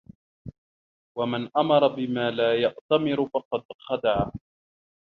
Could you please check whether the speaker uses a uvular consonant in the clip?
yes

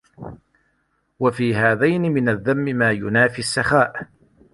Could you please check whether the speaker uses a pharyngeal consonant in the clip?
no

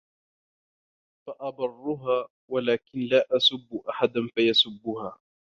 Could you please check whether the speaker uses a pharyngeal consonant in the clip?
yes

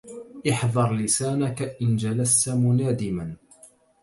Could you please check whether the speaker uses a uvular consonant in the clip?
no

